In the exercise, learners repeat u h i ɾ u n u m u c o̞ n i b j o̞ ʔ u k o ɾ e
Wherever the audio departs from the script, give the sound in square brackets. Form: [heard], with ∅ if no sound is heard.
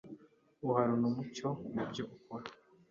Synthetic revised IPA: u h [a] ɾ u n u m u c o̞ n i b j o̞ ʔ u k o ɾ [a]